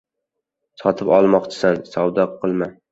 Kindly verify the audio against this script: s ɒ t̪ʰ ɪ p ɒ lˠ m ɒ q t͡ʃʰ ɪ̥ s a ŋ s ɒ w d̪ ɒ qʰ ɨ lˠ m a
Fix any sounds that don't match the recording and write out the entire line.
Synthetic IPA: s ɒ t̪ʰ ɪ p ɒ lˠ m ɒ q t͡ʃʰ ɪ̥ s a n s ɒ w d̪ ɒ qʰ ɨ lˠ m a